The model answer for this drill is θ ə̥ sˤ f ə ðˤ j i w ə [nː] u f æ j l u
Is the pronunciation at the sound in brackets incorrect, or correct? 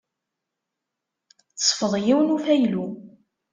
incorrect: n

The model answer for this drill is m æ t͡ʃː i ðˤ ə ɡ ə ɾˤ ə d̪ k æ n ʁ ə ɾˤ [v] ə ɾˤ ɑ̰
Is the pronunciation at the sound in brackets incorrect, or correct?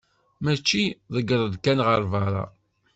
correct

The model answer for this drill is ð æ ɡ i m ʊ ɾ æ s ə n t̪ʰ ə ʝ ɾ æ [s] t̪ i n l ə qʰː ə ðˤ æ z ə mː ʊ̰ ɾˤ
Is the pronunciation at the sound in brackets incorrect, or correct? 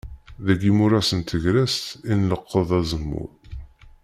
correct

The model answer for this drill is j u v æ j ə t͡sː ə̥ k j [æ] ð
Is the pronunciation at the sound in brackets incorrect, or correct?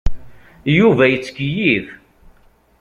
incorrect: i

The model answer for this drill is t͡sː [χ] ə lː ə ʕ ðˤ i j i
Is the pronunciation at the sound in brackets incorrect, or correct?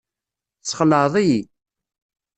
correct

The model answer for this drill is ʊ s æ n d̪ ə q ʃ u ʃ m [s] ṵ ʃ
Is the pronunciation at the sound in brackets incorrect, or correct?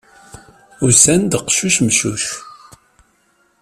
incorrect: ʃ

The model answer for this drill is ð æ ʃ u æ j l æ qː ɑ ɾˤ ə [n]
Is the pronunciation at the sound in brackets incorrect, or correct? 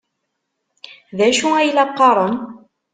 correct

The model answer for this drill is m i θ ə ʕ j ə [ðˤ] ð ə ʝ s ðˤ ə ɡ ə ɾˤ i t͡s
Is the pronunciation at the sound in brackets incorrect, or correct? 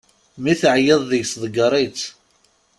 correct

